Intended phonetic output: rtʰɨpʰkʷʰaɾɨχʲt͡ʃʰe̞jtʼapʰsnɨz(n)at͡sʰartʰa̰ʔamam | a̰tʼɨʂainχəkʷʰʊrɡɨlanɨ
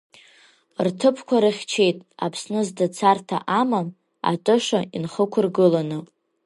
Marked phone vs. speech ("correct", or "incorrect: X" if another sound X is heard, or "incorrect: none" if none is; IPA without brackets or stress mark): incorrect: d